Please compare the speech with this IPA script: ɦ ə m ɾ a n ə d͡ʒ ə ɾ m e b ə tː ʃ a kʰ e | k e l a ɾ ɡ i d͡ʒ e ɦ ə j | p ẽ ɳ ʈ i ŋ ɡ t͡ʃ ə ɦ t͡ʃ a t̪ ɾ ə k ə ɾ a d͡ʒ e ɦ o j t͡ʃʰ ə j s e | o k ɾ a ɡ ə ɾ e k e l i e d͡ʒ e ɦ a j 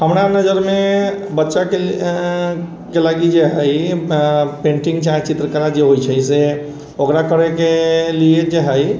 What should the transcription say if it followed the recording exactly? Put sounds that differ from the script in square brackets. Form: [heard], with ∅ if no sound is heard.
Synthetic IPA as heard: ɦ ə m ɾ a n ə d͡ʒ ə ɾ m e b ə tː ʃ a [k] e | k e l a [∅] ɡ i d͡ʒ e ɦ ə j | p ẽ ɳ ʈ i ŋ ɡ t͡ʃ [a] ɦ t͡ʃ [i] t̪ ɾ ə k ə ɾ a d͡ʒ e ɦ o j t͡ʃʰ ə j s e | o k ɾ a [k] ə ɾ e k e l i e d͡ʒ e ɦ [ə] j